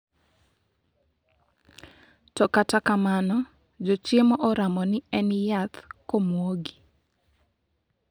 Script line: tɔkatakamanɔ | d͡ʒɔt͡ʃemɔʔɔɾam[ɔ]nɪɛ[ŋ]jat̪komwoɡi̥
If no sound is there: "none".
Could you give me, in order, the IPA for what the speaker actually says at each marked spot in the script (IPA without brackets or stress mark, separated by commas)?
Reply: ɔ, n